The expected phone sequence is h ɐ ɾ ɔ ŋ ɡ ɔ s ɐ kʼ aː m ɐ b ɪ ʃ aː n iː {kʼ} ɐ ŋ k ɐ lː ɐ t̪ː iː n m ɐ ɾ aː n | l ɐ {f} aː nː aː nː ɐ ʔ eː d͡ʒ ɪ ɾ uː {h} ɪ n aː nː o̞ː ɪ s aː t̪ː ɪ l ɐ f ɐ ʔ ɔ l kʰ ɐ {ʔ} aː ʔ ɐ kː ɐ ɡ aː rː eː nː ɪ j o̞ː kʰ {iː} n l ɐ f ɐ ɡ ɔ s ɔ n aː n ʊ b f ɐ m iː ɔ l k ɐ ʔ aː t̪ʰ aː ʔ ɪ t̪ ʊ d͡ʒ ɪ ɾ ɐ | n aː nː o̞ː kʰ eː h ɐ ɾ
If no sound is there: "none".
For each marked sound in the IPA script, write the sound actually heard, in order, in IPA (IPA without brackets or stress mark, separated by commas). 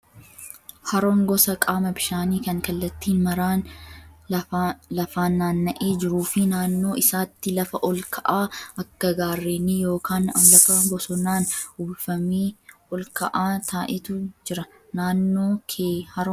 k, f, f, ʔ, aː